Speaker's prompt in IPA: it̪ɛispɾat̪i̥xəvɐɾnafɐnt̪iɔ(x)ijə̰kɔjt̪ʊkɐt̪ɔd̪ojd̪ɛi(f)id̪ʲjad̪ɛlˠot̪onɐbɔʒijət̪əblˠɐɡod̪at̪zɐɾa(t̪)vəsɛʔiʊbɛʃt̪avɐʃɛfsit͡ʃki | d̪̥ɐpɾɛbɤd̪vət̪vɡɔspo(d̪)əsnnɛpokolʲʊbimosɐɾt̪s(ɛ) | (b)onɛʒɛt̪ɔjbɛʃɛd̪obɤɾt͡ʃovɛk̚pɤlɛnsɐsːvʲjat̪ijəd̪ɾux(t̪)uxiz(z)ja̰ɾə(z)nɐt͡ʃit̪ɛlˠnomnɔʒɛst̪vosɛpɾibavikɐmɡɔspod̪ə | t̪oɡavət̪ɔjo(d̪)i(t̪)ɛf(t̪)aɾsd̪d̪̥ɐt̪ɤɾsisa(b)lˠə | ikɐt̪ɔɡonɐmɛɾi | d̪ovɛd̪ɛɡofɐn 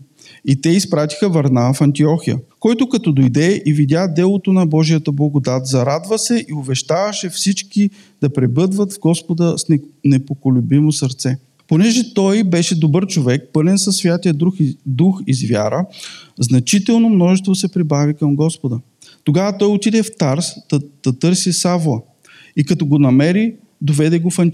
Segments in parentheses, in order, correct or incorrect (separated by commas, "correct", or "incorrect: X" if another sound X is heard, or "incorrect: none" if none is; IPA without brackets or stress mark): correct, incorrect: v, incorrect: d̪, correct, correct, incorrect: p, incorrect: d̪, incorrect: v, correct, incorrect: t̪, incorrect: d̪, correct, incorrect: v